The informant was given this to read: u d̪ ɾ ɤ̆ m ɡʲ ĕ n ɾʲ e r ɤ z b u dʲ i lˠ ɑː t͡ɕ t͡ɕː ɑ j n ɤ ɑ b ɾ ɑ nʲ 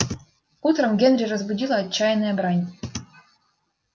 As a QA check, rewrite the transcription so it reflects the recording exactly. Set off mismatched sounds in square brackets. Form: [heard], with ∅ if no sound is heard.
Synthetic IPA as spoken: u [t̪] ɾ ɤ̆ m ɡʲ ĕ n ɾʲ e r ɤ z b u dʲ i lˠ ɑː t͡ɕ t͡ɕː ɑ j n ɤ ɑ b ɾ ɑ nʲ